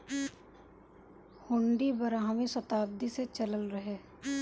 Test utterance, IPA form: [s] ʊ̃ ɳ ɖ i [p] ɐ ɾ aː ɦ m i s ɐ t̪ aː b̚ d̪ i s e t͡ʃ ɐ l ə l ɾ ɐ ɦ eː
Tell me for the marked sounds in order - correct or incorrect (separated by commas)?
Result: incorrect, incorrect